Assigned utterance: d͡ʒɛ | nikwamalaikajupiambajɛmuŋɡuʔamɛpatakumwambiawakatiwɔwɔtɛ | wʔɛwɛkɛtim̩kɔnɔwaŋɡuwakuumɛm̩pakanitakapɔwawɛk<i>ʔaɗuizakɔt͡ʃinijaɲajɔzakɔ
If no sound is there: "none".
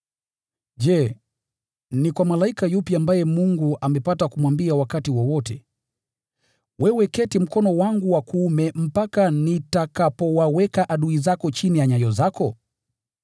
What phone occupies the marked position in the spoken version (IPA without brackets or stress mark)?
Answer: a